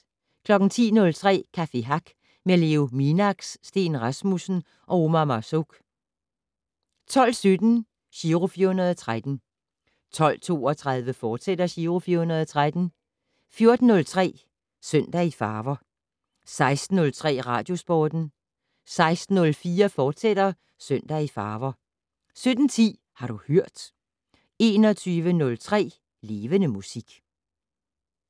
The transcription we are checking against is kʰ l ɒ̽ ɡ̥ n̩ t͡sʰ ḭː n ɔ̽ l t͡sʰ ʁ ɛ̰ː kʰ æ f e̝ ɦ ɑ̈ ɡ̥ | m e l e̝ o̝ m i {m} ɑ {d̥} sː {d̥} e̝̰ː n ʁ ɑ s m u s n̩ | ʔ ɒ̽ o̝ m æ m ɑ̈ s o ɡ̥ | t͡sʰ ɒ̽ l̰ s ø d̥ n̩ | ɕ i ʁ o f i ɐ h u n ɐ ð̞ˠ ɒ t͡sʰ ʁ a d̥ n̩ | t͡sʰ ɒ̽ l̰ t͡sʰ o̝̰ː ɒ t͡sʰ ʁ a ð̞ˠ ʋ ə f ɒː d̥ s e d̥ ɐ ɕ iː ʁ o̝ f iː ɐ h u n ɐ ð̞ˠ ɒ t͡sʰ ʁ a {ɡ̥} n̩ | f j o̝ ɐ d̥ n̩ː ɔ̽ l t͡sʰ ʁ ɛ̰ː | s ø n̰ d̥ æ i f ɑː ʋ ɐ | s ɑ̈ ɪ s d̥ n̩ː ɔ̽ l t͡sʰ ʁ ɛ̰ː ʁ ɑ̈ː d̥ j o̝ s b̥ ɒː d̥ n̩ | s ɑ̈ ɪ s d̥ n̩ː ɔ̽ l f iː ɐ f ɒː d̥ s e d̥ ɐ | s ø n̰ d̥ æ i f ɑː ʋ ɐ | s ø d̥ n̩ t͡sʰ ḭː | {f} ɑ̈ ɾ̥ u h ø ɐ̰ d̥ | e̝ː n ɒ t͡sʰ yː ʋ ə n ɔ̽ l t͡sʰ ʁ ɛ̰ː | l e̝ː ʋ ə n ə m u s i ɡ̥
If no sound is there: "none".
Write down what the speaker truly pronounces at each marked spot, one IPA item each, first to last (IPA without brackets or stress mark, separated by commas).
n, ɡ̥, d̥, d̥, h